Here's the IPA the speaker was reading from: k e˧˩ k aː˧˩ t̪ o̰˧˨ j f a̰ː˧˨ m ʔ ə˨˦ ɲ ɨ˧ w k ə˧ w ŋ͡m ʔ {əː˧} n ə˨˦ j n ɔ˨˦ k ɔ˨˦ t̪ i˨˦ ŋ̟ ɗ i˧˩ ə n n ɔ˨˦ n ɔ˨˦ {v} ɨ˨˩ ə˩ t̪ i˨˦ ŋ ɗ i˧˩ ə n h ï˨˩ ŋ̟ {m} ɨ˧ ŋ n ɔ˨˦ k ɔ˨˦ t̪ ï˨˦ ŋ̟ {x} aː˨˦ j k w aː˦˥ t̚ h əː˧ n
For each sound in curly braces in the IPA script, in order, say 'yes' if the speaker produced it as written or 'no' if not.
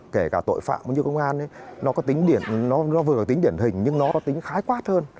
no, yes, no, yes

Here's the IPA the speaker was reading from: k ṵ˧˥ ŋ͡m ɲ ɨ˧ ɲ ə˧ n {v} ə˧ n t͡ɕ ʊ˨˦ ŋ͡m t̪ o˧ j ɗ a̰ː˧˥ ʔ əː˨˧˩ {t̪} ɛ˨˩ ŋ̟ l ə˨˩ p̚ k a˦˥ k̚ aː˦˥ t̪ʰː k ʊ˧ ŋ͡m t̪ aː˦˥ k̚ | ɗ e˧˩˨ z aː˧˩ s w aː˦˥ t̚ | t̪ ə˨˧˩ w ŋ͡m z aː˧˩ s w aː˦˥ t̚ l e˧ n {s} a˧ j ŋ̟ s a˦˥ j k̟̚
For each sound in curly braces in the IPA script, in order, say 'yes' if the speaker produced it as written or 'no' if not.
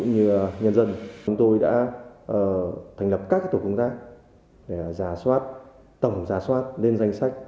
no, no, no

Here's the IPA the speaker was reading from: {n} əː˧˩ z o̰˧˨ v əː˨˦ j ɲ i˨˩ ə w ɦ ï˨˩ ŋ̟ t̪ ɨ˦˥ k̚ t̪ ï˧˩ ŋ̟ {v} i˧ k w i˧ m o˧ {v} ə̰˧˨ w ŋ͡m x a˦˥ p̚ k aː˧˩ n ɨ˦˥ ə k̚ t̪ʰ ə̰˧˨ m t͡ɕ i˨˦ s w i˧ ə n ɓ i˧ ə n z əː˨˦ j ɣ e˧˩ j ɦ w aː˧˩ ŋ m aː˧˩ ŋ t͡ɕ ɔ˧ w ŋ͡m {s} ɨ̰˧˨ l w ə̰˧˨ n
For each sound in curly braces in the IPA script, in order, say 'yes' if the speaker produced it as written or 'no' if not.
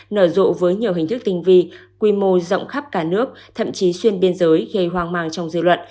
yes, yes, no, no

